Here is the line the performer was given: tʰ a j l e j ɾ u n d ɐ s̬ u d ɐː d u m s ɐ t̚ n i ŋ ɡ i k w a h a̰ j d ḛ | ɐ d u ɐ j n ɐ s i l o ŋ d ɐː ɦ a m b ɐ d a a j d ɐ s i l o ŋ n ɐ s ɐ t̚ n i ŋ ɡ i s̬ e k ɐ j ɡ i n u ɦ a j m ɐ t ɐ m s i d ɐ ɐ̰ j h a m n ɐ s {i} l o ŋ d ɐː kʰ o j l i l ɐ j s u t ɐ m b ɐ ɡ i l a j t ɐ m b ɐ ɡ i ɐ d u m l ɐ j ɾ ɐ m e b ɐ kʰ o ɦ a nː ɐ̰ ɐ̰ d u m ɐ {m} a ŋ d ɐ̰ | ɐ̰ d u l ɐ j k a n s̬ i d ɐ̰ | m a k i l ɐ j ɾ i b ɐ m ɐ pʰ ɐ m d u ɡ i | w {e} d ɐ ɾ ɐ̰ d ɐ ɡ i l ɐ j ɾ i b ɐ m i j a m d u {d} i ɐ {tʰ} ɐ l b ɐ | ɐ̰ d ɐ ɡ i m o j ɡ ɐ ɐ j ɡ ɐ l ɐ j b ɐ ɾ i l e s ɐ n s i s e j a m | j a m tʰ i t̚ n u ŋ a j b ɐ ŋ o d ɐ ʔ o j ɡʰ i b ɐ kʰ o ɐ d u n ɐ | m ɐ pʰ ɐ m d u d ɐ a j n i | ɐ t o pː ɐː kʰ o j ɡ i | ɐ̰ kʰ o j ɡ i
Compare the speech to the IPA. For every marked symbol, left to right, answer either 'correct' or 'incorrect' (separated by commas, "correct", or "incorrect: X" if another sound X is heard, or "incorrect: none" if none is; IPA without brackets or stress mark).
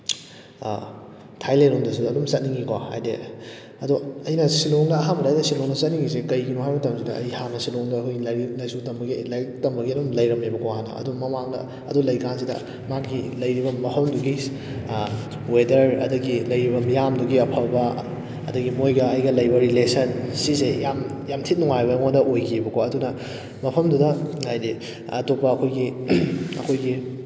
correct, correct, correct, incorrect: ɡ, incorrect: pʰ